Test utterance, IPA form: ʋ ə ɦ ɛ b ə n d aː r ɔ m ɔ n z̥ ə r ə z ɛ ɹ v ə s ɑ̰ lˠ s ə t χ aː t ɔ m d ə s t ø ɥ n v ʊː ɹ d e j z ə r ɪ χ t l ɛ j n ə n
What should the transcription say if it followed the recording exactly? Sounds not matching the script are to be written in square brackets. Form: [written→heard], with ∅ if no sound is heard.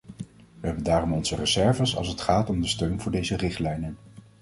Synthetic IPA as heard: ʋ ə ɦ ɛ b ə n d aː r ɔ m ɔ n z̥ ə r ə z ɛ ɹ v ə s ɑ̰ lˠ s ə t χ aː t ɔ m d ə s t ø ɥ n v ʊː ɹ d e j z ə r ɪ χ t l ɛ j n ə n